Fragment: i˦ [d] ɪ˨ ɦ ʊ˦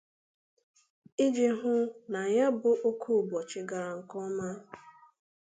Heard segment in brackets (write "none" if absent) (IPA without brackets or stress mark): d͡ʒ